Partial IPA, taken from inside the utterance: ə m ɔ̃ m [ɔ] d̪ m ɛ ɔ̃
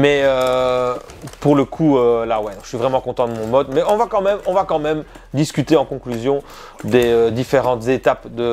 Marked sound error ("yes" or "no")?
no